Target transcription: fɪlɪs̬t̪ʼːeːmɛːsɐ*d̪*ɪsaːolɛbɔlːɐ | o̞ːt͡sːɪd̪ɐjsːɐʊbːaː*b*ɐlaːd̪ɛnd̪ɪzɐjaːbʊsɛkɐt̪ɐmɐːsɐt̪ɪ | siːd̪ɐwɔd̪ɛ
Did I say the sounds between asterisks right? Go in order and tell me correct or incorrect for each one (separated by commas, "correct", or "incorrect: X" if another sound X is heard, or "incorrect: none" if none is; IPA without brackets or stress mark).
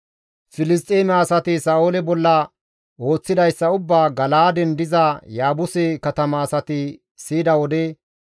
incorrect: t̪, incorrect: ɡ